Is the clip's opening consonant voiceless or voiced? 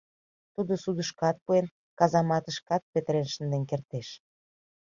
voiceless